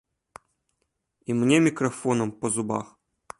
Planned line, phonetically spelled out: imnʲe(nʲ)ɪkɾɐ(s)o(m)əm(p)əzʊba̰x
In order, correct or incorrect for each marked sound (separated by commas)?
incorrect, incorrect, incorrect, correct